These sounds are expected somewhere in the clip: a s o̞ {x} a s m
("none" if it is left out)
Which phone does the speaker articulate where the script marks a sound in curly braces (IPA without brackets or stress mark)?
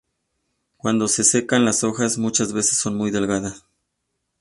x